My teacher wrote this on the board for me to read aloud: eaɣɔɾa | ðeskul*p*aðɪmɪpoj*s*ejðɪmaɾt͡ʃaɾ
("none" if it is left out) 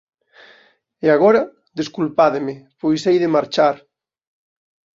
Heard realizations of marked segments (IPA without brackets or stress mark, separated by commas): p, s